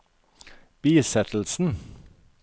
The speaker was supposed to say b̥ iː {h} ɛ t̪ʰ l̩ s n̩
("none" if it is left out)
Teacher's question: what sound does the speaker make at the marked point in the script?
s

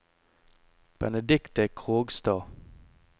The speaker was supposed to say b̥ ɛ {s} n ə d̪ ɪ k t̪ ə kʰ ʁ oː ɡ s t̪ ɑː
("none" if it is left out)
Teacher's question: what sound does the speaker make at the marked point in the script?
none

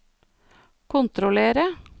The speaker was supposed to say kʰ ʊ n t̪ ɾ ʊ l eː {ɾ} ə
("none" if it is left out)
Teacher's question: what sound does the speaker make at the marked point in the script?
ɾ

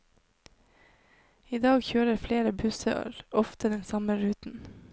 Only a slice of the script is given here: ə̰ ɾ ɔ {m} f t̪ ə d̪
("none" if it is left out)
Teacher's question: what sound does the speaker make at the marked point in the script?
none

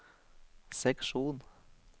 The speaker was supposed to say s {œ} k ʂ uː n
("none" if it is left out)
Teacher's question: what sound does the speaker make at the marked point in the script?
ɛ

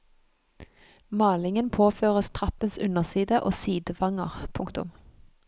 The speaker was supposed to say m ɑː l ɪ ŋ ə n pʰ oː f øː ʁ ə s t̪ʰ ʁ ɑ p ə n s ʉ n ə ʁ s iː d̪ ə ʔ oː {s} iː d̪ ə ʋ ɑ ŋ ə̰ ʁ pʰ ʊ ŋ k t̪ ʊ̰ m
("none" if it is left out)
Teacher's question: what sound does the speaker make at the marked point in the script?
s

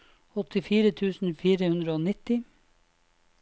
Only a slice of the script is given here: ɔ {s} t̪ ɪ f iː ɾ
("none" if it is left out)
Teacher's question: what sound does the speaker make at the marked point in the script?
none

